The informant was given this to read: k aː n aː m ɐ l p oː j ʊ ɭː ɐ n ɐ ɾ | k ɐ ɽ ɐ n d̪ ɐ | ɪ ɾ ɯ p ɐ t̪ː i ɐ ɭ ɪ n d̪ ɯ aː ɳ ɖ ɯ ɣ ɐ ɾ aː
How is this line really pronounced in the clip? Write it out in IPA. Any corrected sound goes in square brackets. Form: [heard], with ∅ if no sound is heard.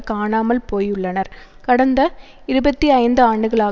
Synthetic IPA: k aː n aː m ɐ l p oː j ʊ ɭː ɐ n ɐ ɾ | k ɐ ɽ ɐ n d̪ ɐ | ɪ ɾ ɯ [b] ɐ t̪ː i ɐ [∅] ɪ n d̪ ɯ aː ɳ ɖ ɯ ɣ ɐ [ɭ] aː

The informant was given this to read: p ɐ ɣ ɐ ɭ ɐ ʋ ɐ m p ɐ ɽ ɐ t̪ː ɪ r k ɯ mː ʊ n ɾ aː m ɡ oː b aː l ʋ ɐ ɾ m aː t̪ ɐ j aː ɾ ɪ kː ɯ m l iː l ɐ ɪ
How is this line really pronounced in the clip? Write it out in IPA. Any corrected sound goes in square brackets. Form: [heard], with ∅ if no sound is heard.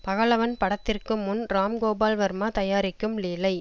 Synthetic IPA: p ɐ ɣ ɐ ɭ ɐ ʋ ɐ [n] p ɐ ɽ ɐ t̪ː ɪ r k ɯ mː ʊ n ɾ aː m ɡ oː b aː l ʋ ɐ ɾ m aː t̪ ɐ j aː ɾ ɪ kː ɯ m l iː l ɐ ɪ

